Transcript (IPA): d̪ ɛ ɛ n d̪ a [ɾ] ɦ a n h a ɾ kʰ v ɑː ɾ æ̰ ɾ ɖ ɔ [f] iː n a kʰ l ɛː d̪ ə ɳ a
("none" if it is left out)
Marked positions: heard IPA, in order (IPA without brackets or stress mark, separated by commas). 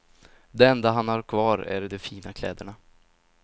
none, f